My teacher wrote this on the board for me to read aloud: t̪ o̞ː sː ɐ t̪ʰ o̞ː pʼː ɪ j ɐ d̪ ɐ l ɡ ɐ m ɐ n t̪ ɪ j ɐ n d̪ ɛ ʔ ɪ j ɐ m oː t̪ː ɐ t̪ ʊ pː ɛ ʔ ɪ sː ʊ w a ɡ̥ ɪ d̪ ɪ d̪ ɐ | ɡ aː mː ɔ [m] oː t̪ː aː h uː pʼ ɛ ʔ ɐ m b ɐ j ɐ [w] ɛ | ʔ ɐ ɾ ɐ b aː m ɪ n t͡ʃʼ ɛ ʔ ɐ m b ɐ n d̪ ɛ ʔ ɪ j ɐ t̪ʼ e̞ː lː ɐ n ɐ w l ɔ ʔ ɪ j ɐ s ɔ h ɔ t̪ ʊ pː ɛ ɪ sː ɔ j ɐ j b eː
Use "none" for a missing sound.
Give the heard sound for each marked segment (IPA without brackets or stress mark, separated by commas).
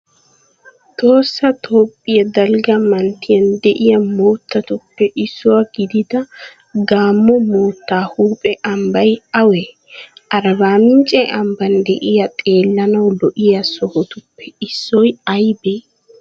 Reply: m, w